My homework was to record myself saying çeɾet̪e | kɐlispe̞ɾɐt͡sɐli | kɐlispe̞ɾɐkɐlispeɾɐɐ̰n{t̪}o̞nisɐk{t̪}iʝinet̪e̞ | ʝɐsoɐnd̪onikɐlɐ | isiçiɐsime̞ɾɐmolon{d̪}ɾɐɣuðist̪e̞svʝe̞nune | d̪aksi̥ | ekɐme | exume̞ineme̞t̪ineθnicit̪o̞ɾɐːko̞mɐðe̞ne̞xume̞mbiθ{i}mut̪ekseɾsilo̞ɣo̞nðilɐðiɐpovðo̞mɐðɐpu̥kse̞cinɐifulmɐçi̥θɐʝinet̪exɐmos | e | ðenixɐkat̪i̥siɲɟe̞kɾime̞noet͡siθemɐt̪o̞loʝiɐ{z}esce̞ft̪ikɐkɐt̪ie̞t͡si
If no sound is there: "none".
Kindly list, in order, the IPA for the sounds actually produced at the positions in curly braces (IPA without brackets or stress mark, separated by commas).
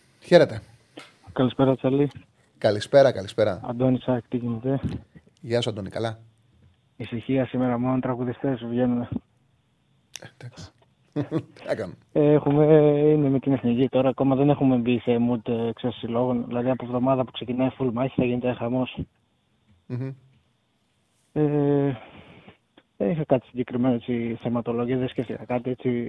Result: d̪, t̪, t̪, e, ð